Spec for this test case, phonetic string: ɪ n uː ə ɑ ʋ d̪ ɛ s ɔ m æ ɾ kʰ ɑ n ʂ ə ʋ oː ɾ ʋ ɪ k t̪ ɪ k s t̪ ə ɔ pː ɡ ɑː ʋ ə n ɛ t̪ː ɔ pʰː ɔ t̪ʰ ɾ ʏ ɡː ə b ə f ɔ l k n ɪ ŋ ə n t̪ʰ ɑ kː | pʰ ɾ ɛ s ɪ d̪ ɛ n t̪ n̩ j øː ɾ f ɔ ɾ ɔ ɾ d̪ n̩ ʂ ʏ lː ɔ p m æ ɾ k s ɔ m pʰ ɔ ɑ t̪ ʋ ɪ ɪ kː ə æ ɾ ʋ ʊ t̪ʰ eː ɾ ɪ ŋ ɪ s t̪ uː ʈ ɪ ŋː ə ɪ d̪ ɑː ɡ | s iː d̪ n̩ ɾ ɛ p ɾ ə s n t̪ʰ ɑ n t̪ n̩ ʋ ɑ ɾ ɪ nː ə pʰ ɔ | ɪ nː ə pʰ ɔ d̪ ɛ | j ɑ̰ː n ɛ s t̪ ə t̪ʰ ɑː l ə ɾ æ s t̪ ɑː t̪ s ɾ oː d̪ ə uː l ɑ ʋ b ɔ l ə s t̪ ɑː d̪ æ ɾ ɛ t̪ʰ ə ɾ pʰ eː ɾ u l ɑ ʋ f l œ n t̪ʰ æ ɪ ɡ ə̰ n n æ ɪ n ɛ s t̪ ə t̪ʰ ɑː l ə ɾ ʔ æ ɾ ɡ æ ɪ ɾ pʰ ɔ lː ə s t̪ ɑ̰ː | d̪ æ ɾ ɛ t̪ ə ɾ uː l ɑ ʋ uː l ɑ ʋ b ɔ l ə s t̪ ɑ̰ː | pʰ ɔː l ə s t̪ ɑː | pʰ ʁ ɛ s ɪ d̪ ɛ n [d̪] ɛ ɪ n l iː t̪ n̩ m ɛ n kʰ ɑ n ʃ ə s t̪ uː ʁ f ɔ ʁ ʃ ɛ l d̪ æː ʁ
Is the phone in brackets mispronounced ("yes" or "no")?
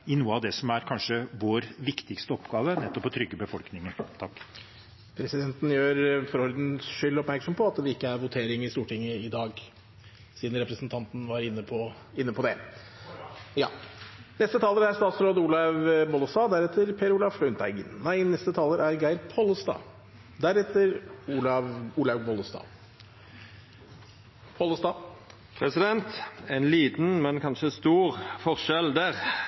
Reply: yes